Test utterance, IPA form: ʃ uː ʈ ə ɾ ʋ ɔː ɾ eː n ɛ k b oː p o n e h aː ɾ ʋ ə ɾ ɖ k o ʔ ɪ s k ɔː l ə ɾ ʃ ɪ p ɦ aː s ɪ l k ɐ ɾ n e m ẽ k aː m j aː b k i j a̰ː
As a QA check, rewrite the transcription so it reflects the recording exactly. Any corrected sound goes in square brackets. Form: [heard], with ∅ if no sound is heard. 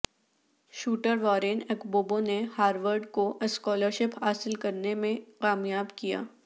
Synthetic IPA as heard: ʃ uː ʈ ə ɾ ʋ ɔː ɾ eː n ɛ k b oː [b] o n e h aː ɾ ʋ ə ɾ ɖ k o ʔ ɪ s k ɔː l ə ɾ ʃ ɪ p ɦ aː s ɪ l k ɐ ɾ n e m ẽ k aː m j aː b k i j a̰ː